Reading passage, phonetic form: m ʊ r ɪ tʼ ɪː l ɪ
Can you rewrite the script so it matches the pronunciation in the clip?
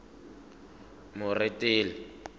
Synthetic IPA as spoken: m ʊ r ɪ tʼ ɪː l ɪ